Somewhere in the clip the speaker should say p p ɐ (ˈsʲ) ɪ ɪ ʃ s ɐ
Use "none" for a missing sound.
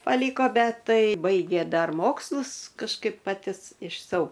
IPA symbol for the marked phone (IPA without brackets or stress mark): tʲ